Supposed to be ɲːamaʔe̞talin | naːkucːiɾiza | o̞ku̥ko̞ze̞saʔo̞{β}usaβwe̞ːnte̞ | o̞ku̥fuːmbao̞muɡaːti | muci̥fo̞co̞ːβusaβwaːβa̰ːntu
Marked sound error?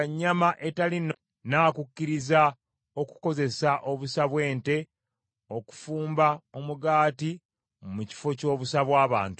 no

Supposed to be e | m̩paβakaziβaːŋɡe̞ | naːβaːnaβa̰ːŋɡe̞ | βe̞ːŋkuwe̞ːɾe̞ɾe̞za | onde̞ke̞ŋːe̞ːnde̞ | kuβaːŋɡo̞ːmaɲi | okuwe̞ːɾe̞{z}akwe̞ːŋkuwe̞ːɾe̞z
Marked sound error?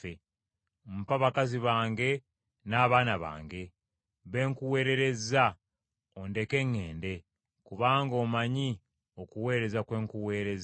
no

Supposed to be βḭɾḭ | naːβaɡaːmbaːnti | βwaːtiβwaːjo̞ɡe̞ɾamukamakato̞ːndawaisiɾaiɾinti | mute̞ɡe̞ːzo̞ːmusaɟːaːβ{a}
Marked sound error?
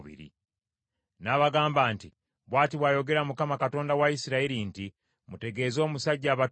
no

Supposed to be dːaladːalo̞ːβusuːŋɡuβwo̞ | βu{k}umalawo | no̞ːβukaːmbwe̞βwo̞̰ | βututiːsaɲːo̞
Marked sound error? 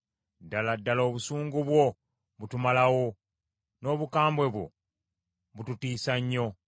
yes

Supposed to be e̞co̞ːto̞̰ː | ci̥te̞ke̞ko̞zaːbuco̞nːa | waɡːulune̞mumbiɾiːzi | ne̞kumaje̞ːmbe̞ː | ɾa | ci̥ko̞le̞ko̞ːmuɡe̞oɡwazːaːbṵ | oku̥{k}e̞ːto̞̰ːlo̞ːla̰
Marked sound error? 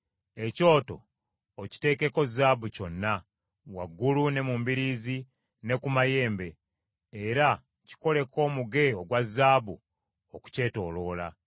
yes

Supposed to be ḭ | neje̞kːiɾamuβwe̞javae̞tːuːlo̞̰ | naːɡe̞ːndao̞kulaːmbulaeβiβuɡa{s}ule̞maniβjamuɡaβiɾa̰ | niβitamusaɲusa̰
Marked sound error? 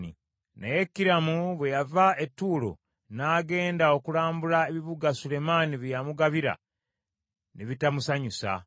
no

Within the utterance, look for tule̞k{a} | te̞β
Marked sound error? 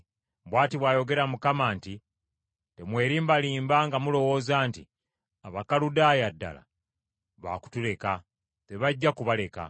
no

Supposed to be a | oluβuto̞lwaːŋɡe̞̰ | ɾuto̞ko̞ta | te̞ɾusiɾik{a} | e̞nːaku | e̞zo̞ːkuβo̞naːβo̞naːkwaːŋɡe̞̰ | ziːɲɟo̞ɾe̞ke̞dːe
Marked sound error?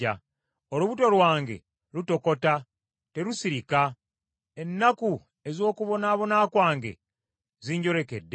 no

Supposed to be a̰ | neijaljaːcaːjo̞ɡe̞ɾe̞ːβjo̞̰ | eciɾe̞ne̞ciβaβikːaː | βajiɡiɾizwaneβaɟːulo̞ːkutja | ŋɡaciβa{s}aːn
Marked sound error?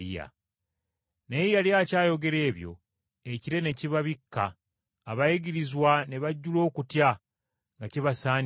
no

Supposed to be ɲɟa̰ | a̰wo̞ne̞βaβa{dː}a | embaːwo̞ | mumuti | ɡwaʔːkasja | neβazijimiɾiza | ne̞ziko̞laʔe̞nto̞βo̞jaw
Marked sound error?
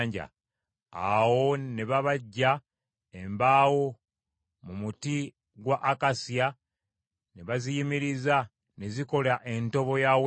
yes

